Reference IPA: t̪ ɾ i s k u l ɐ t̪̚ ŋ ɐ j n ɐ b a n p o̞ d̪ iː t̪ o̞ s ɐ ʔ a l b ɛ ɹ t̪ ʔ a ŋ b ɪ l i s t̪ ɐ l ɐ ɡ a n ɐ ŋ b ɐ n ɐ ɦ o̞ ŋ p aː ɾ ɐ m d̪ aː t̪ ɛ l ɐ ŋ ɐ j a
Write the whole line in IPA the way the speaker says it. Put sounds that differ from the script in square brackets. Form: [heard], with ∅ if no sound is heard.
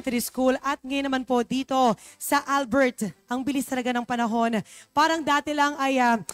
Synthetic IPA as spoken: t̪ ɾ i s k u l ɐ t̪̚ ŋ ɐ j n ɐ [m] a n p o̞ d̪ iː t̪ o̞ s ɐ ʔ a l b ɛ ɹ t̪ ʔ [ɐ] ŋ b ɪ l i s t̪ ɐ l ɐ ɡ a n ɐ ŋ [p] ɐ n ɐ ɦ o̞ [n] p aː ɾ ɐ [ŋ] d̪ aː t̪ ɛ l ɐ ŋ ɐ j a

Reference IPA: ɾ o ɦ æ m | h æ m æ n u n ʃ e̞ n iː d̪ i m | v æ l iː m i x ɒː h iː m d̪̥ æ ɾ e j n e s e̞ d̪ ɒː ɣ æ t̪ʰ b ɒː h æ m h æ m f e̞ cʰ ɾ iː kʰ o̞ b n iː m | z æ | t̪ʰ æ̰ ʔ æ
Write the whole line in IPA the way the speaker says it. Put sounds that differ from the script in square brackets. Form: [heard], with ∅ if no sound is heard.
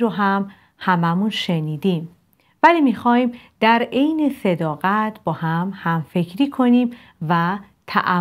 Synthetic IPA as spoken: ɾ o ɦ æ m | h æ m æ [m] u n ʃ e̞ n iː d̪ i m | v æ l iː m i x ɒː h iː m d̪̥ æ ɾ e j n e s e̞ d̪ ɒː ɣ æ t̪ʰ b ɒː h æ m h æ m f e̞ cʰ ɾ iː kʰ o̞ [∅] n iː m | [v] æ | t̪ʰ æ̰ ʔ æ

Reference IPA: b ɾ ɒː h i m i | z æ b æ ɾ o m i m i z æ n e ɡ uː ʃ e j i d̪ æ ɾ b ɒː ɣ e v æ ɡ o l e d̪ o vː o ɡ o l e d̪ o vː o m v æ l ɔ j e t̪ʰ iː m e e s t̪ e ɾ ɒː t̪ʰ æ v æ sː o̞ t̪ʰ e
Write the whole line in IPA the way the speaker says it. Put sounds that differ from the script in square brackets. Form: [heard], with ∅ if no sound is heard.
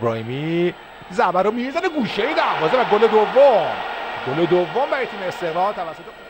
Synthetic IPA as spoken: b ɾ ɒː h i m i | z æ b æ ɾ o m i m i z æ n e ɡ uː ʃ e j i d̪ æ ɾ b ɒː [z] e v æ ɡ o l e d̪ o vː o ɡ o l e d̪ o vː o m [b] æ [ɾ] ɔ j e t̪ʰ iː m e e s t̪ e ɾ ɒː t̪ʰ æ v æ sː o̞ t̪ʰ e

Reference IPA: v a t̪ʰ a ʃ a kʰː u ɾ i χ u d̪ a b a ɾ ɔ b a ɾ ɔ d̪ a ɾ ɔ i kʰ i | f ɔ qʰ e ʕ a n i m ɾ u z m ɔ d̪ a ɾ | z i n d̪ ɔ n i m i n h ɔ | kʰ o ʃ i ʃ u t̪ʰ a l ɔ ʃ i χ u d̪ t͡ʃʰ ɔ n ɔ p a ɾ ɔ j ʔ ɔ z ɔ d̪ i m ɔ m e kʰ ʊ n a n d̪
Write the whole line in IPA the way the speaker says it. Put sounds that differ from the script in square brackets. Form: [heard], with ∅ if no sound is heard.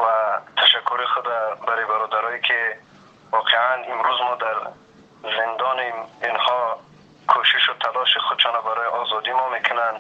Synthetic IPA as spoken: v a t̪ʰ a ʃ a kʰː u ɾ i χ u d̪ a b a ɾ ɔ b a ɾ ɔ d̪ a ɾ ɔ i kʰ i | [v] ɔ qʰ e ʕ a n i m ɾ u z m ɔ d̪ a ɾ | z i n d̪ ɔ n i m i n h ɔ | kʰ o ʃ i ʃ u t̪ʰ a l ɔ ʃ i χ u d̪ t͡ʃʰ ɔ n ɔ [b] a ɾ ɔ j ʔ ɔ z ɔ d̪ i m ɔ m e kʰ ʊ n a n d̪

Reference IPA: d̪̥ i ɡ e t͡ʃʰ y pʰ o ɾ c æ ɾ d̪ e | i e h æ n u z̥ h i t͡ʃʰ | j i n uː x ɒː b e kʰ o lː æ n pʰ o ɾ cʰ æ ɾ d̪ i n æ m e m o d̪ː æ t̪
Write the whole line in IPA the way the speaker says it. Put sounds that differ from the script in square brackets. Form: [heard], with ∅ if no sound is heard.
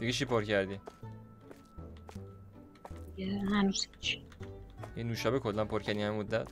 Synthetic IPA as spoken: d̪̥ i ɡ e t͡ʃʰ [i] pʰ o ɾ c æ ɾ d̪ [i] | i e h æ n u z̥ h i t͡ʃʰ | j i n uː [ʃ] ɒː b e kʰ o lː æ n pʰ o ɾ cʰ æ ɾ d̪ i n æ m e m o d̪ː æ t̪

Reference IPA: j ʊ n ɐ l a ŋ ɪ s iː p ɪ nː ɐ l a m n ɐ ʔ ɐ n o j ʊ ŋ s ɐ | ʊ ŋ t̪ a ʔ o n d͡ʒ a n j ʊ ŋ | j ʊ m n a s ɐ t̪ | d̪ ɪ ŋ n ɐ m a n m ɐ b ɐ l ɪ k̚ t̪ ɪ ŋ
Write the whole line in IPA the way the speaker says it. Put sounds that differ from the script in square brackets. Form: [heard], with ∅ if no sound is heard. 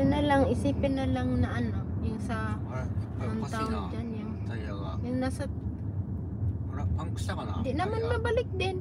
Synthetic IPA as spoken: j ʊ n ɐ l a ŋ ɪ s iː p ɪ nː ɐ l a [ŋ] n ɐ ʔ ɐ n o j ʊ ŋ s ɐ | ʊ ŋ t̪ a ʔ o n d͡ʒ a n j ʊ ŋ | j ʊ [ŋ] n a s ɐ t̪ | d̪ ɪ [∅] n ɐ m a n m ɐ b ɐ l ɪ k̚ [d̪] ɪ [n]

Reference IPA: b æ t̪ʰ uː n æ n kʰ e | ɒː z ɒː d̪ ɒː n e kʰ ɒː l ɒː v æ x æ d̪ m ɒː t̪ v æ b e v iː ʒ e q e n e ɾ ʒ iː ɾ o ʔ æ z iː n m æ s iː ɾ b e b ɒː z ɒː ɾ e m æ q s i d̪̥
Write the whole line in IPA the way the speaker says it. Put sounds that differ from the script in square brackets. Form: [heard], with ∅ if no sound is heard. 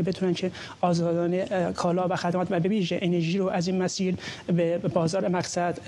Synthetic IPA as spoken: b [e] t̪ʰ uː n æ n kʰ e | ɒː z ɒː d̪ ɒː n e kʰ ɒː l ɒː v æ x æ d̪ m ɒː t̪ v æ b e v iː ʒ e [ʔ] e n e ɾ ʒ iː ɾ o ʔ æ z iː n m æ s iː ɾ b e b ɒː z ɒː ɾ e m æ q s [æ] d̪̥

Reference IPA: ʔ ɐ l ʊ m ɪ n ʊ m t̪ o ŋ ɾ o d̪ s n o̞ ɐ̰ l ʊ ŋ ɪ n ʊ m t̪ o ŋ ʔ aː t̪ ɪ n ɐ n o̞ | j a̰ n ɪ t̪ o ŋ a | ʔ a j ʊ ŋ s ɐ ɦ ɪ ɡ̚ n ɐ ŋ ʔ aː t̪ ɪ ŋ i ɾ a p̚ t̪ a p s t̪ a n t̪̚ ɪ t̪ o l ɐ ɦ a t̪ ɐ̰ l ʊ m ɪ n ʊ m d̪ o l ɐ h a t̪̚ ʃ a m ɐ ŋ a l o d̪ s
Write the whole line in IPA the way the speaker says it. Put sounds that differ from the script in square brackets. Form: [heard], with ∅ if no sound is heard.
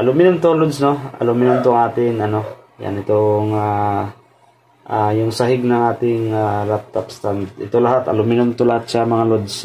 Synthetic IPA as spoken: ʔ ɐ l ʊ m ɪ n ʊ m t̪ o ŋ [l] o d̪ s n o̞ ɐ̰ l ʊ [m] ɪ n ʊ m t̪ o ŋ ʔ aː t̪ ɪ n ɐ n o̞ | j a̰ n ɪ t̪ o ŋ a | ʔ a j ʊ ŋ s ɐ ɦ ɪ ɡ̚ n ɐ ŋ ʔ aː t̪ ɪ ŋ [a] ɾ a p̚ t̪ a p s t̪ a n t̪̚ ɪ t̪ o l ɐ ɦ a t̪ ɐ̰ l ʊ m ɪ n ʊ m [t̪] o l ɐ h a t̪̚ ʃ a m ɐ ŋ a l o d̪ s

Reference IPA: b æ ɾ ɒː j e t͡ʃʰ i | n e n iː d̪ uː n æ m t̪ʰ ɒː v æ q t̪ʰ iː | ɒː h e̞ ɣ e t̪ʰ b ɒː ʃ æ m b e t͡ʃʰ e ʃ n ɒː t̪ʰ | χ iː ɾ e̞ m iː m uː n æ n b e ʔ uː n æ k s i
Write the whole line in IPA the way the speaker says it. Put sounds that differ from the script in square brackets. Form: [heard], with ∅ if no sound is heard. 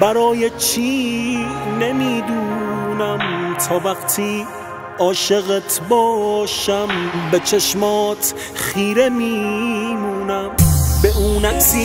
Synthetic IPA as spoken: b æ ɾ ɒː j e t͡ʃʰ i | n e [m] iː d̪ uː n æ m t̪ʰ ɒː v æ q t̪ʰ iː | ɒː [ʃ] e̞ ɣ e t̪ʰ b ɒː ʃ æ m b e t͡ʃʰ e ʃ [m] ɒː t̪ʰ | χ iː ɾ e̞ m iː m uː n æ [m] b e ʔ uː n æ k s i

